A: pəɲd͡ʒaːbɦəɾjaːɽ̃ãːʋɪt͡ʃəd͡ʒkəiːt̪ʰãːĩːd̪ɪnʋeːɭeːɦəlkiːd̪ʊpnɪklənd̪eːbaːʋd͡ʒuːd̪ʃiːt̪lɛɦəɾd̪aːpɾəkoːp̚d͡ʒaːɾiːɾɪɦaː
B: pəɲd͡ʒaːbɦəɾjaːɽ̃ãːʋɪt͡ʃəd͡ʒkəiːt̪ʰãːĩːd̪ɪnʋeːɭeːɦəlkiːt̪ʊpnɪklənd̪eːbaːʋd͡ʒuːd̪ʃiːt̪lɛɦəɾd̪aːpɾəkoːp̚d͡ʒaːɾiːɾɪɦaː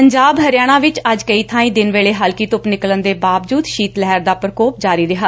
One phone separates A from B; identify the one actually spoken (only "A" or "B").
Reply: B